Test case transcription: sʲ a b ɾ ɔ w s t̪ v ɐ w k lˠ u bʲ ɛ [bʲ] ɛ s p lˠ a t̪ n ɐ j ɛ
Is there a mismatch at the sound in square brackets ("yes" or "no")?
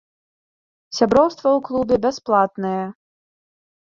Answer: no